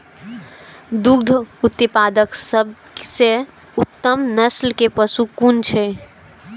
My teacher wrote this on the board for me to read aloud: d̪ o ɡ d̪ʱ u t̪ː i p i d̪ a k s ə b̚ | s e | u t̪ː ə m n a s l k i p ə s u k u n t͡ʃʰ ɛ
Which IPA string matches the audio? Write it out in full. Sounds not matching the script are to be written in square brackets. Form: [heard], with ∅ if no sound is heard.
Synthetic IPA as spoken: d̪ [u] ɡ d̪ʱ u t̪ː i p [a] d̪ [ə] k s ə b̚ | s e | u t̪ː ə m n [ə] s l k [e] p ə s u k u n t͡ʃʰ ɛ